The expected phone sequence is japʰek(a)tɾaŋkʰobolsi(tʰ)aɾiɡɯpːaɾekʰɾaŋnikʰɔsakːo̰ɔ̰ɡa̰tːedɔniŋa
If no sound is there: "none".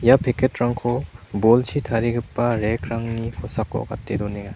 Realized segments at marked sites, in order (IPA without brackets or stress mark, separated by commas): e, tʰ